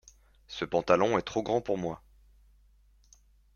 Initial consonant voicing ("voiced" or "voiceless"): voiceless